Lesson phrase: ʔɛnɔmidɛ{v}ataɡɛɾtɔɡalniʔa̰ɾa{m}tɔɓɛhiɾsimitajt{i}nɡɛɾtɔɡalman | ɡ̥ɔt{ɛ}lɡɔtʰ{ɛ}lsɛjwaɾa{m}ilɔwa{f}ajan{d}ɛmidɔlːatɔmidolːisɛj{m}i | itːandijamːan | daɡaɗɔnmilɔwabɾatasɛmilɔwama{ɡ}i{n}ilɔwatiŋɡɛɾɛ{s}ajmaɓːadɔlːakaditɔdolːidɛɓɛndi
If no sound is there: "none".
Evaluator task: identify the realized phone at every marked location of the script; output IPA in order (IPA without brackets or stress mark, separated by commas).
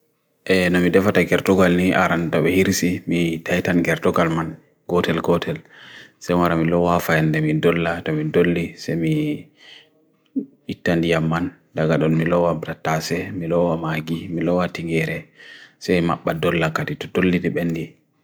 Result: f, n, a, ɛ, ɛ, m, f, d, m, ɡ, m, s